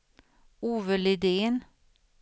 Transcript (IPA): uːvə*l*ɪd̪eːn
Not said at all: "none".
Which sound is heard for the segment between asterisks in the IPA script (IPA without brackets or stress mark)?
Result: l